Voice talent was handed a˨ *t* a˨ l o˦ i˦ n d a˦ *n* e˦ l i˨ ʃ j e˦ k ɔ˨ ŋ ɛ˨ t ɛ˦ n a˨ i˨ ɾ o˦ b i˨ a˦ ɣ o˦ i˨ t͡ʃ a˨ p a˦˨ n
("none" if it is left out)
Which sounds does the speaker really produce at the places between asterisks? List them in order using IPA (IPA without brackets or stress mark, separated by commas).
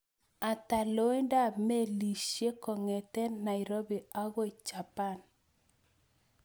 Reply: t, m